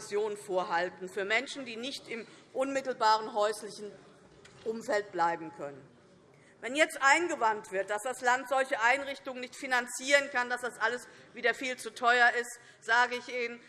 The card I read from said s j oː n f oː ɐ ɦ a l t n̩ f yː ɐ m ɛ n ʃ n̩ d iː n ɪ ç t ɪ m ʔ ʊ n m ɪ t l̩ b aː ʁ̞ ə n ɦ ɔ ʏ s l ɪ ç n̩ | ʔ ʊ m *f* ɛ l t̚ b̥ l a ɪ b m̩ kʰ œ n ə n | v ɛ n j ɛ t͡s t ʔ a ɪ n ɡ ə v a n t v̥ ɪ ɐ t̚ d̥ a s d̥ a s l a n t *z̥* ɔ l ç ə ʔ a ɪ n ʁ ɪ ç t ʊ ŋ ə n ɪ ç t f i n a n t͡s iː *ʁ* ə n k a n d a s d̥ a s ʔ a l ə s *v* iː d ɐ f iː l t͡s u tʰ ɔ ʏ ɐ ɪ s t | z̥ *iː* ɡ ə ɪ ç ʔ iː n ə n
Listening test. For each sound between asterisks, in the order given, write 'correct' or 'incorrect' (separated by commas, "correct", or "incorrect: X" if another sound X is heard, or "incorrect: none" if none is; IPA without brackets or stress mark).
correct, correct, correct, correct, incorrect: aː